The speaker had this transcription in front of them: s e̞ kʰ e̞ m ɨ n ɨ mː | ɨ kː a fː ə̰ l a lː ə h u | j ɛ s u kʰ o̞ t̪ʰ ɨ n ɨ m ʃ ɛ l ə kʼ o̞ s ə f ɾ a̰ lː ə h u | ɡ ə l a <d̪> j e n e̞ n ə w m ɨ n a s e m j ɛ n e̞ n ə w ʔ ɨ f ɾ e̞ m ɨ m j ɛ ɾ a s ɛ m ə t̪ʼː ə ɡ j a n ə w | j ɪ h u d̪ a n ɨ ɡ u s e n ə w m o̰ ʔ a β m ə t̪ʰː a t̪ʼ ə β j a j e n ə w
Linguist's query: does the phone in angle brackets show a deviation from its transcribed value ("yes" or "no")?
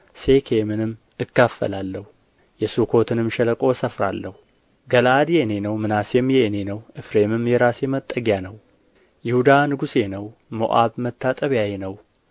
no